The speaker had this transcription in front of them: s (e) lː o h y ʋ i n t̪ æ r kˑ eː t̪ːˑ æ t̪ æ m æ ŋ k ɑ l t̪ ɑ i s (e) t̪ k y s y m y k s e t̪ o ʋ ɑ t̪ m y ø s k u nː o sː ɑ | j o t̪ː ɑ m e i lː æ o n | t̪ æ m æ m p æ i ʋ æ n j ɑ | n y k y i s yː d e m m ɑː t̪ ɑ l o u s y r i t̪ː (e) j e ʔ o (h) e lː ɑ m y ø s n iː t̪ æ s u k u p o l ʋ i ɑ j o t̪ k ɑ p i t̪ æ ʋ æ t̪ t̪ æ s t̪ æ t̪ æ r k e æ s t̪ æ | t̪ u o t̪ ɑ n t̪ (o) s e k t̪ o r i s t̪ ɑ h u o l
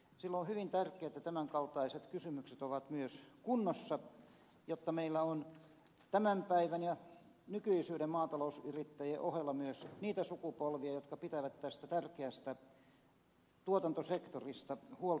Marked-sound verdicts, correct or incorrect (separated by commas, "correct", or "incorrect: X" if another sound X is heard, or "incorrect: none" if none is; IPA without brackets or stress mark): incorrect: i, correct, incorrect: æ, correct, correct